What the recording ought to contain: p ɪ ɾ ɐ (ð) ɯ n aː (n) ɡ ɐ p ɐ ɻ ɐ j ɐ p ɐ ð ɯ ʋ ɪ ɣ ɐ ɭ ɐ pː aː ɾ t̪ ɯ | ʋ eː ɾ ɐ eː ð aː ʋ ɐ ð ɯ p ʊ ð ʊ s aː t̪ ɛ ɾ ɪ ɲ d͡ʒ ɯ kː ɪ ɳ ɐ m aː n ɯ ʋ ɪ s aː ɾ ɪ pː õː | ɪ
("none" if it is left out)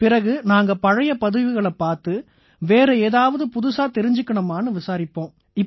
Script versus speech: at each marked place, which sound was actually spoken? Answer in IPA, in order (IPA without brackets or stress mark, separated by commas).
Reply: ɣ, ŋ